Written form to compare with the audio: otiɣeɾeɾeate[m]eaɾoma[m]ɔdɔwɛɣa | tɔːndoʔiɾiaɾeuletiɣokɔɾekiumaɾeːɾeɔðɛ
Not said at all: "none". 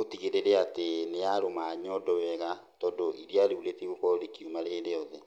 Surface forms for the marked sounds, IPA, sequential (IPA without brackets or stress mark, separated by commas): n, ɲ